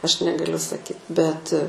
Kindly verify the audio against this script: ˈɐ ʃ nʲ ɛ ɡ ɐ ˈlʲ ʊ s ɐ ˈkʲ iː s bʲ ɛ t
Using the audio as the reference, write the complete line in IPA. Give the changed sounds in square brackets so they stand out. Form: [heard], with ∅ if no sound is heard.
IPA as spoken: ˈɐ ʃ nʲ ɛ ɡ ɐ ˈlʲ ʊ s ɐ ˈkʲ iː [t] bʲ ɛ t